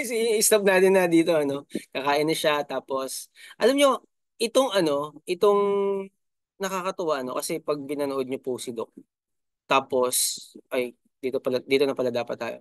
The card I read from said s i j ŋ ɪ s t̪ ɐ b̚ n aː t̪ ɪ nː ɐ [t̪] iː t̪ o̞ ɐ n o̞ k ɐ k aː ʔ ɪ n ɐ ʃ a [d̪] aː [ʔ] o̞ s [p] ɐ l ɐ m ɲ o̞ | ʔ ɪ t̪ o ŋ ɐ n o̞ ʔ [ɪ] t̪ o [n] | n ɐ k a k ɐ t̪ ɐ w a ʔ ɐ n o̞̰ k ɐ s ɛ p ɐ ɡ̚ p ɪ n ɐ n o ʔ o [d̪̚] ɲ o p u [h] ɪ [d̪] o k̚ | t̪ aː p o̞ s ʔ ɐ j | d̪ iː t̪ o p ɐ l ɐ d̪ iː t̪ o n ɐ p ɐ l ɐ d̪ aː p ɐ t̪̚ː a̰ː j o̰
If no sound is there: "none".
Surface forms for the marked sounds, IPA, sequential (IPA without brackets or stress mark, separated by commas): d̪, t̪, p, ʔ, ɪ, ŋ, d̪̚, s, d̪